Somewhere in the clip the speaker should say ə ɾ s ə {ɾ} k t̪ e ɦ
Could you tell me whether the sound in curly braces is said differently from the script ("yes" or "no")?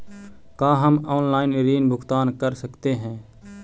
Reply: yes